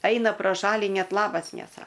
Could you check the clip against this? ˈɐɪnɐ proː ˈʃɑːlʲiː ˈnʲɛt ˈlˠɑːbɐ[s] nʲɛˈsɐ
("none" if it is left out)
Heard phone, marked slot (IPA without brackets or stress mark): s